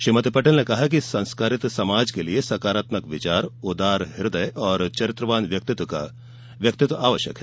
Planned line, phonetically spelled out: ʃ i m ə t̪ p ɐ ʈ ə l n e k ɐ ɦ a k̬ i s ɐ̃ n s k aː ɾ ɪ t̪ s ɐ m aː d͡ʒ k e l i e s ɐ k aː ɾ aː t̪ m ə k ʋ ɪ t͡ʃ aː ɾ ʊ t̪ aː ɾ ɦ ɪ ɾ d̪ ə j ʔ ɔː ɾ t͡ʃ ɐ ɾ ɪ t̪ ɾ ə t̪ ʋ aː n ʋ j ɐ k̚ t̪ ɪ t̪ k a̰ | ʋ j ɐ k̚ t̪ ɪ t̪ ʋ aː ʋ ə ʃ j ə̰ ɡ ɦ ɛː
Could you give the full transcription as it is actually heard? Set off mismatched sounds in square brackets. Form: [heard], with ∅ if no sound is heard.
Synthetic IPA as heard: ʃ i m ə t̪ p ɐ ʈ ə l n e k ɐ ɦ a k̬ i s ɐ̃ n s k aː ɾ ɪ t̪ s ɐ m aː d͡ʒ k e l i e s ɐ k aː ɾ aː t̪ m ə k ʋ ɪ t͡ʃ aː ɾ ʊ [d̪] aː ɾ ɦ ɪ ɾ d̪ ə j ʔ ɔː ɾ t͡ʃ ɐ ɾ ɪ t̪ ɾ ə [∅] ʋ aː n ʋ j ɐ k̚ t̪ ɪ t̪ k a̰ | ʋ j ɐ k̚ t̪ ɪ t̪ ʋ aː ʋ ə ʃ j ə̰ [k] ɦ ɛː

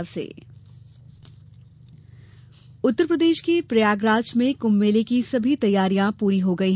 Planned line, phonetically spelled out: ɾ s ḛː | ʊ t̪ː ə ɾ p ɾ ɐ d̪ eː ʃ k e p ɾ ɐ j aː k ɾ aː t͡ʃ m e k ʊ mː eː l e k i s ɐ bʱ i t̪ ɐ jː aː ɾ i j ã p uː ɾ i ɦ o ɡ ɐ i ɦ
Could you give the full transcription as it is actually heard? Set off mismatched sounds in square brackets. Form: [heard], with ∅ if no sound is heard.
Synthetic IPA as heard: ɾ s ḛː | ʊ t̪ː ə ɾ p ɾ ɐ d̪ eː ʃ k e p ɾ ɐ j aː [ɡ] ɾ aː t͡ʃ m [ẽ] k ʊ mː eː l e k i s ɐ bʱ i t̪ ɐ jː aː ɾ i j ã p uː ɾ i ɦ o ɡ ɐ i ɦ

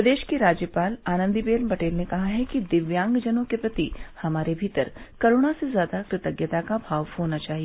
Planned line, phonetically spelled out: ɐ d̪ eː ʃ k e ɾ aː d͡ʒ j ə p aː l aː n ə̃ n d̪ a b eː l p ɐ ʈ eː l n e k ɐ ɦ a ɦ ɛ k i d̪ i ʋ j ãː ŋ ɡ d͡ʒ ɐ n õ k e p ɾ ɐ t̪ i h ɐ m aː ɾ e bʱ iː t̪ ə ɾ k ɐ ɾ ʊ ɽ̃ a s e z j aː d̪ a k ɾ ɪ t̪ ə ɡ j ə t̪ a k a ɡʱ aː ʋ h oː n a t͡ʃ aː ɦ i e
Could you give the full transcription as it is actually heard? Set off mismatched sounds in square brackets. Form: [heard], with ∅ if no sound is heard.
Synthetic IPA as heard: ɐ d̪ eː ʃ k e ɾ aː d͡ʒ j ə p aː l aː n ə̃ n d̪ [i] b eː l p ɐ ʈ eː l n e k ɐ ɦ a ɦ ɛ k i d̪ [ɪ] ʋ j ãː ŋ ɡ d͡ʒ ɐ n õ k e p ɾ ɐ t̪ i h ɐ m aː ɾ e bʱ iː t̪ ə ɾ k ɐ ɾ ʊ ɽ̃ a s e z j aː d̪ a k ɾ ɪ t̪ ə ɡ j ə t̪ a k a [bʱ] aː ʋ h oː n a t͡ʃ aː ɦ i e

